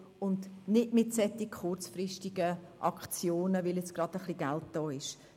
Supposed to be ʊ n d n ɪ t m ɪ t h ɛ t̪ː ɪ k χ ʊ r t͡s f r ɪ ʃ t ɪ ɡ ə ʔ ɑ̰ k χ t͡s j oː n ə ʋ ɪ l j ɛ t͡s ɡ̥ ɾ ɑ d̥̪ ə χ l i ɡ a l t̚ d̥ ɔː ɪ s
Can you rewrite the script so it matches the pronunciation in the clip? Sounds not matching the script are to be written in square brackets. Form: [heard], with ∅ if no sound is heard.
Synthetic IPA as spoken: ʊ n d n ɪ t m ɪ t [s] ɛ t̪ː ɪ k χ ʊ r t͡s f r ɪ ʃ t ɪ ɡ ə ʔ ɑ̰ k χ t͡s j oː n ə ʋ ɪ l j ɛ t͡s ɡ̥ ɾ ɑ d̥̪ ə χ l i ɡ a l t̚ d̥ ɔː ɪ [ʃ]